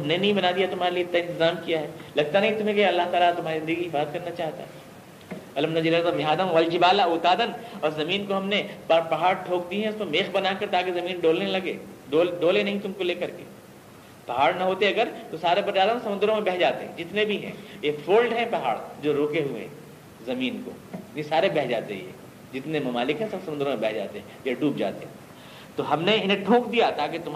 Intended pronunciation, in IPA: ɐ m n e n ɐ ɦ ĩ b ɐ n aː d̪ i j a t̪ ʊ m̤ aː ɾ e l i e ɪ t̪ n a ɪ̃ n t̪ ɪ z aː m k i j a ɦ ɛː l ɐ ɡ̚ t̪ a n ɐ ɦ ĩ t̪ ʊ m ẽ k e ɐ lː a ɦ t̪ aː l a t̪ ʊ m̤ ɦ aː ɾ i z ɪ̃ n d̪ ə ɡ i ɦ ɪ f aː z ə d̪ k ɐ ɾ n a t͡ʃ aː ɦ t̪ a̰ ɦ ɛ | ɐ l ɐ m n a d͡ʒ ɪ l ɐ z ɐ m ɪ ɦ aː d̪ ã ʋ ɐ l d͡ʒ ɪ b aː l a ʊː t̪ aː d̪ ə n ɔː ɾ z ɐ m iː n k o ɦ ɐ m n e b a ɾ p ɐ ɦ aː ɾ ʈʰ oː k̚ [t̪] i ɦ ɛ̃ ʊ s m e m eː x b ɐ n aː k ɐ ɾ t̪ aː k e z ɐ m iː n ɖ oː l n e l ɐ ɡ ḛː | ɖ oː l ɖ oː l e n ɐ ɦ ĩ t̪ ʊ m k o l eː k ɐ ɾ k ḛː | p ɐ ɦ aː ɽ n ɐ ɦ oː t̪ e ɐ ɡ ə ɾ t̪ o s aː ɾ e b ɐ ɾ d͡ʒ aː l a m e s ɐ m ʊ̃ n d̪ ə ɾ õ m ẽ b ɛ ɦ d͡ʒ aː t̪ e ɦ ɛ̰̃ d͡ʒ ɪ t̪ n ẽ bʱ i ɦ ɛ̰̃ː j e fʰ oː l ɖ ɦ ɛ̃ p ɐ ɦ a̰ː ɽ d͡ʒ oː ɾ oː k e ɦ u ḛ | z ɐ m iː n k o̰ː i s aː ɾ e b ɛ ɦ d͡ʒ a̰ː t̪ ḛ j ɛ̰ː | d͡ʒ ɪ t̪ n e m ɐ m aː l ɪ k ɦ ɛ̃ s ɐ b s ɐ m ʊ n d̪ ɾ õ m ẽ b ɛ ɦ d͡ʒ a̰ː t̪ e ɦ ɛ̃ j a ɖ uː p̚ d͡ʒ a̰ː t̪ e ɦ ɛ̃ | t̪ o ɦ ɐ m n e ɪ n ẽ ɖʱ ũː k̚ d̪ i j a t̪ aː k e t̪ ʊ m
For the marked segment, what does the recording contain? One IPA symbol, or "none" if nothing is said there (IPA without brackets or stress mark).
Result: d̪